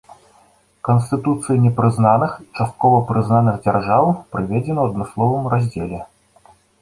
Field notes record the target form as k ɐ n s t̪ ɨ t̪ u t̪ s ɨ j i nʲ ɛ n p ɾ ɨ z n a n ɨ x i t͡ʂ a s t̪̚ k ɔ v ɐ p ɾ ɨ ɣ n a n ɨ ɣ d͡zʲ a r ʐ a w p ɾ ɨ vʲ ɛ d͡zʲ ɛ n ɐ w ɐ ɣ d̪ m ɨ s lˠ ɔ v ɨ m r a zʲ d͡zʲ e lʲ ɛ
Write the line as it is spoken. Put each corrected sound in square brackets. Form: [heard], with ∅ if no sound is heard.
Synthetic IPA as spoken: k ɐ n s t̪ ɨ t̪ u t̪ s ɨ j i nʲ ɛ [∅] p ɾ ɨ z n a n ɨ x i t͡ʂ a s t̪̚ k ɔ v ɐ p ɾ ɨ [z] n a n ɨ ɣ d͡zʲ a r ʐ a w p ɾ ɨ vʲ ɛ d͡zʲ ɛ n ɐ w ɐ [∅] d̪ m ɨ s lˠ ɔ v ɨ m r a zʲ d͡zʲ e lʲ ɛ